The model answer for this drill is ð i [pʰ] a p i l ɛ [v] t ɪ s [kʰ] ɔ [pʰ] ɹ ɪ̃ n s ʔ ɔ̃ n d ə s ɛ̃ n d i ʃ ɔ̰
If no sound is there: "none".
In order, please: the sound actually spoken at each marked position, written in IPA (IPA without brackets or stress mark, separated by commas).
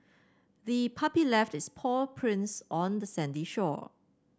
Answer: pʰ, f, pʰ, pʰ